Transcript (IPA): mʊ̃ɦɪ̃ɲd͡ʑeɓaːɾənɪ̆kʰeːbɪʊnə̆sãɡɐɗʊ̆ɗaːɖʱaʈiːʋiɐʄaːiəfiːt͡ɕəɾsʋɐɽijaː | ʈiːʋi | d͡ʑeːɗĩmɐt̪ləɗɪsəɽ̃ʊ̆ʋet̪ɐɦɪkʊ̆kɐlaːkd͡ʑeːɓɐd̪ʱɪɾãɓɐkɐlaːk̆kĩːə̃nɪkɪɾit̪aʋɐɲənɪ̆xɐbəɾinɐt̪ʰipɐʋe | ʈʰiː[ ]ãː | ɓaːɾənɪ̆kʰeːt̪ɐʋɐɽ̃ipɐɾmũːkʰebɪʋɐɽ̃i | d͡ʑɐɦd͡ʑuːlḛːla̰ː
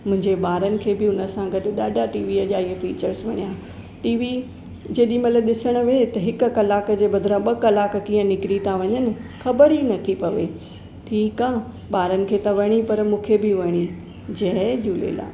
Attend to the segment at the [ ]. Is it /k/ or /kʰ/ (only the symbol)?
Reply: k